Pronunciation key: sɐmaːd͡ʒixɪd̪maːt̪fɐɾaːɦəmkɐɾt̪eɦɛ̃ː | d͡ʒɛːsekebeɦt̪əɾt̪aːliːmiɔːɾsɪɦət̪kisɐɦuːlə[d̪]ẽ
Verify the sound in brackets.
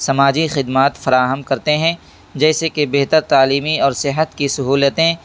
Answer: incorrect: t̪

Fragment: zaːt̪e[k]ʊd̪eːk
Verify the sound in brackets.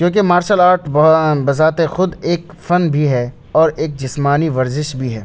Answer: incorrect: x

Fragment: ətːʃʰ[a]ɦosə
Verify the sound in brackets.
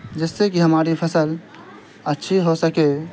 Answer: incorrect: i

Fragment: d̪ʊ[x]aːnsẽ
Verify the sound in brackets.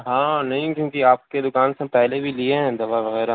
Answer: incorrect: k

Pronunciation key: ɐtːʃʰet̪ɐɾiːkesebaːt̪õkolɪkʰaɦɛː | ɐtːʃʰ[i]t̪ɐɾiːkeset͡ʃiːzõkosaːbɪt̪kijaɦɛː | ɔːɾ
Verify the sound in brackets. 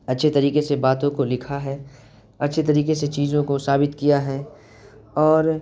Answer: incorrect: e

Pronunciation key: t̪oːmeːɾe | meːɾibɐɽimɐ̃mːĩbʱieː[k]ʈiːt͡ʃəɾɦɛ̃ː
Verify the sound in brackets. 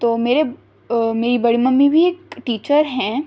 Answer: correct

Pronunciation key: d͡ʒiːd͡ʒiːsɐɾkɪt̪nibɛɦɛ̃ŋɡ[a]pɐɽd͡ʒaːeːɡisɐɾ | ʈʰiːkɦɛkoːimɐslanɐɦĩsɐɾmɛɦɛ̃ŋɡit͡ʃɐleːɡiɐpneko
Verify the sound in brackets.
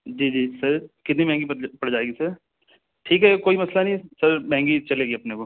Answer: incorrect: i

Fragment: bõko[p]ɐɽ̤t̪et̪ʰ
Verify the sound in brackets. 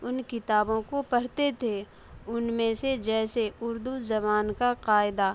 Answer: correct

